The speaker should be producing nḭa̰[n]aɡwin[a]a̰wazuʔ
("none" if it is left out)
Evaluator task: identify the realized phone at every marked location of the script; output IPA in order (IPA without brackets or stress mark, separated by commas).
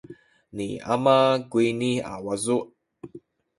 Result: m, i